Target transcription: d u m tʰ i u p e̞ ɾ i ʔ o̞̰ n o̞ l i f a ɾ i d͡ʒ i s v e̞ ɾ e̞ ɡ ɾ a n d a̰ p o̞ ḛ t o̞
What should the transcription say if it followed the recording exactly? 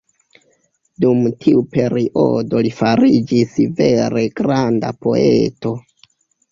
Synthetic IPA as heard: d u m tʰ i u p e̞ ɾ i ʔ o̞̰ d o̞ l i f a ɾ i d͡ʒ i s v e̞ ɾ e̞ ɡ ɾ a n d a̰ p o̞ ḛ t o̞

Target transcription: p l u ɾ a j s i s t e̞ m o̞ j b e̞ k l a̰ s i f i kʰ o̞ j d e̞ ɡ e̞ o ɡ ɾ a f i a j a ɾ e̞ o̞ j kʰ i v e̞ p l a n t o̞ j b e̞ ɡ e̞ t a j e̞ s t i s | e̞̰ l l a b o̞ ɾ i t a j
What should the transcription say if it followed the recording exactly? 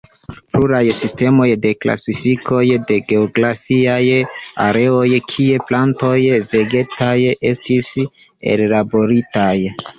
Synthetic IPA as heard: p l u ɾ a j s i s t e̞ m o̞ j d e̞ k l a̰ s i f i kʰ o̞ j d e̞ ɡ e̞ o ɡ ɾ a f i a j a ɾ e̞ o̞ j kʰ i e̞ p l a n t o̞ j v e̞ ɡ e̞ t a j e̞ s t i s | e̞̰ l l a b o̞ ɾ i t a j

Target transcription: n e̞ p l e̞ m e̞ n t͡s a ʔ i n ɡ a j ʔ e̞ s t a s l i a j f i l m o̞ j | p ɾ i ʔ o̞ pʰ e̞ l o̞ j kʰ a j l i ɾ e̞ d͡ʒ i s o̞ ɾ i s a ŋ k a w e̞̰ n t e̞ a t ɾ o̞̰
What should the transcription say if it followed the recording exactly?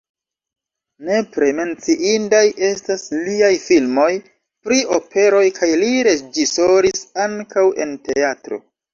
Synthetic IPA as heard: n e̞ p ɾ e̞ m e̞ n t͡s i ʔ i n d a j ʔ e̞ s t a s l i a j f i l m o̞ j | p ɾ i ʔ o̞ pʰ e̞ ɾ o̞ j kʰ a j l i ɾ e̞ d͡ʒ i s o̞ ɾ i s a ŋ k a w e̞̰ n t e̞ a t ɾ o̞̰

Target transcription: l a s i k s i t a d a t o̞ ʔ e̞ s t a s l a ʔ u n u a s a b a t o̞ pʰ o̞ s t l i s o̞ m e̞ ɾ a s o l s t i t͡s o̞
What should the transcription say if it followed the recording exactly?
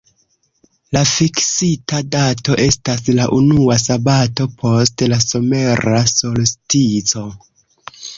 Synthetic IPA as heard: l a f i k s i t a d a t o̞ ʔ e̞ s t a s l a ʔ u n u a s a b a t o̞ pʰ o̞ s t l a s o̞ m e̞ ɾ a s o l s t i t͡s o̞

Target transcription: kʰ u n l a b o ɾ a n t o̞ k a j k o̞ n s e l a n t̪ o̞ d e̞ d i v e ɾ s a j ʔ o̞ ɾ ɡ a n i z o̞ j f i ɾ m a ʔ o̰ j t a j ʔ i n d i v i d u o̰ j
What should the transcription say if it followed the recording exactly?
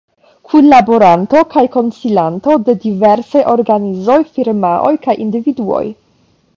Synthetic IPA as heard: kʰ u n l a b o ɾ a n t o̞ k a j k o̞ n s i l a n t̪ o̞ d e̞ d i v e ɾ s a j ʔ o̞ ɾ ɡ a n i z o̞ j f i ɾ m a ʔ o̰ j k a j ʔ i n d i v i d u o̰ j

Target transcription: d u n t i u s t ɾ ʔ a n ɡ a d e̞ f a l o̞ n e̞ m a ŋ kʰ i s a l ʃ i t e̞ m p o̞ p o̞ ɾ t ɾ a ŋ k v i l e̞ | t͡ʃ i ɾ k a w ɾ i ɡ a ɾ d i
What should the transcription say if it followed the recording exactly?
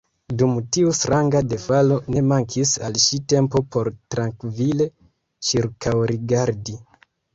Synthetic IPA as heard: d u m t i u s t ɾ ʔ a ŋ ɡ a d e̞ f a l o̞ n e̞ m a ŋ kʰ i s a l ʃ i t e̞ m p o̞ p o̞ ɾ t ɾ a ŋ k v i l e̞ | t͡ʃ i ɾ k a w ɾ i ɡ a ɾ d i

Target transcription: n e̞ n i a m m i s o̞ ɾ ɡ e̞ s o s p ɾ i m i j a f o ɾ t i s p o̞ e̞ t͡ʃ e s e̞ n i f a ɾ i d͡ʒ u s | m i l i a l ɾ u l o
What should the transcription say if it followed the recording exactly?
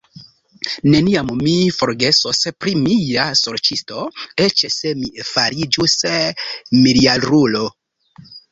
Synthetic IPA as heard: n e̞ n i a m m i f o̞ ɾ ɡ e̞ s o s p ɾ i m i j a s o ɾ t͡ʃ i s t o̞ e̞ t͡ʃ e s e̞ m i f a ɾ i d͡ʒ u s | m i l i a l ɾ u l o

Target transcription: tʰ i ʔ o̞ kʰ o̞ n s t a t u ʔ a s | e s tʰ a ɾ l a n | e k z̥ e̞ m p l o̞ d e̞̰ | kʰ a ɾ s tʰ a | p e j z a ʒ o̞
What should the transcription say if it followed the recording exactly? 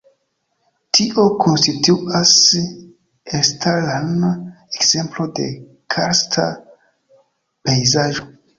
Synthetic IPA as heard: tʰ i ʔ o̞ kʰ o̞ n s t i t u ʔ a s | e s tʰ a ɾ l a n | e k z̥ e̞ m p l o̞ d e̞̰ | kʰ a ɾ s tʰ a | p e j z a ʒ o̞

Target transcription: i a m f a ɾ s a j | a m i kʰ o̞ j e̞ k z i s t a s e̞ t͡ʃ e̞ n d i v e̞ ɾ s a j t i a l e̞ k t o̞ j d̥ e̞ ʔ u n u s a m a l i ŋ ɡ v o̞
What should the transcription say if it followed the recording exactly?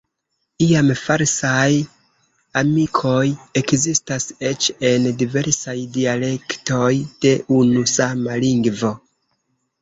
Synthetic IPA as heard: i a m f a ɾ s a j | a m i kʰ o̞ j e̞ k z i s t a s e̞ t͡ʃ e̞ n d i v e̞ ɾ s a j d i a l e̞ k t o̞ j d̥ e̞ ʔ u n u s a m a l i ŋ ɡ v o̞

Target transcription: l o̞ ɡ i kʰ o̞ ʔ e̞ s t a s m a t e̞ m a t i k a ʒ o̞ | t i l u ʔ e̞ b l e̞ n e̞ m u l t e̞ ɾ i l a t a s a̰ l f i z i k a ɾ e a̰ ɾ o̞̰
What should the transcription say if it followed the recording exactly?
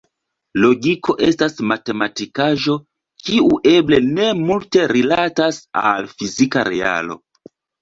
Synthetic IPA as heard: l o̞ ɡ i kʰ o̞ ʔ e̞ s t a s m a t e̞ m a t i k a ʒ o̞ | k i u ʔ e̞ b l e̞ n e̞ m u l t e̞ ɾ i l a t a s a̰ l f i z i k a ɾ e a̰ l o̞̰

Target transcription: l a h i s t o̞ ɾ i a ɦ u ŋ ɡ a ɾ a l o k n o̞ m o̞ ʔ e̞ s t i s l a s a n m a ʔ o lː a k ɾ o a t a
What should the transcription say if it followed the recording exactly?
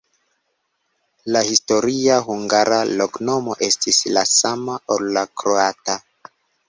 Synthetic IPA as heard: l a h i s t o̞ ɾ i a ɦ u ŋ ɡ a ɾ a l o k n o̞ m o̞ ʔ e̞ s t i s l a s a m a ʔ o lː a k ɾ o a t a

